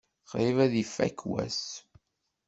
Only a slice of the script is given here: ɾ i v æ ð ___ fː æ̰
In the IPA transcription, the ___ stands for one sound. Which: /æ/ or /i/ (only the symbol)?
i